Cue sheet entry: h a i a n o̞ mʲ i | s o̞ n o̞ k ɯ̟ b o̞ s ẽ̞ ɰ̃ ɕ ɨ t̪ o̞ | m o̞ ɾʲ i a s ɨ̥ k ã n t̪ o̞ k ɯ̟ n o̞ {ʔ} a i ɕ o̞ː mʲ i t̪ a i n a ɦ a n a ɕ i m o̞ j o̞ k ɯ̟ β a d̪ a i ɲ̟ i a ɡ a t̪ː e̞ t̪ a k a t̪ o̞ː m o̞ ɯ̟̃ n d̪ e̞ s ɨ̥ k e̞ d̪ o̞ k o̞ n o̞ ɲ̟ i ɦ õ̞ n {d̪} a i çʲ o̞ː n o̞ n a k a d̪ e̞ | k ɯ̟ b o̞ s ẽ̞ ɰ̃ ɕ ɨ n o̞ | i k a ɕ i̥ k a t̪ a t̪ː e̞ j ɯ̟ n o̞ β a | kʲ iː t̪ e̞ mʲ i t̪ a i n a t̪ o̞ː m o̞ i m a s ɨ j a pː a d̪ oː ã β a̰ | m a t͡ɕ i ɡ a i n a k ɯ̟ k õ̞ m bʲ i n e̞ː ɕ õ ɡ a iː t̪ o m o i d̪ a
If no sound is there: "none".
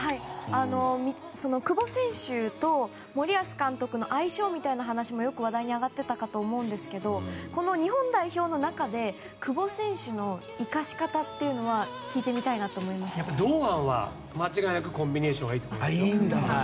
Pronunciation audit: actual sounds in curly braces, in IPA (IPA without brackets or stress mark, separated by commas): ʔ, d̪